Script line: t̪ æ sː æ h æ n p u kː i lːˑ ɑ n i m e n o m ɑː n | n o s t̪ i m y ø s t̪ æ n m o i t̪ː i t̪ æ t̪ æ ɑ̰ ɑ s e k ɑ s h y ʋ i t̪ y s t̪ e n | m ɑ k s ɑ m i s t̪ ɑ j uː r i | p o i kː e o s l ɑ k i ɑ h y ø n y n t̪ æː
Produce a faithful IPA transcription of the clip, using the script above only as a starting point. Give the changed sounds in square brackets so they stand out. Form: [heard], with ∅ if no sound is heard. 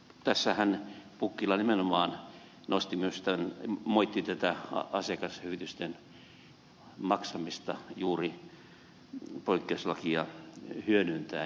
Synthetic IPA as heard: t̪ æ sː æ h æ n p u kː i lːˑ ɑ n i m e n o m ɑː n | n o s t̪ i m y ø s t̪ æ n m o i t̪ː i t̪ æ t̪ æ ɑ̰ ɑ s e k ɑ s h y ʋ i t̪ y s t̪ e n | m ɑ k s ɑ m i s t̪ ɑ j uː r i | p o i kː e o s l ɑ k i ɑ h y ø n y n t̪ æː